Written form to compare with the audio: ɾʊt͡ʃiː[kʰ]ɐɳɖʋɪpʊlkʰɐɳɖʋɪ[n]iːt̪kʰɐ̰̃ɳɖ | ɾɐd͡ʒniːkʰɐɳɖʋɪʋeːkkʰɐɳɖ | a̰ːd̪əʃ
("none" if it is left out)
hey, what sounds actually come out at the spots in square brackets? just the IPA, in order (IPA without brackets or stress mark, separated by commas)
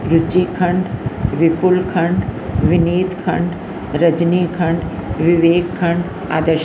kʰ, n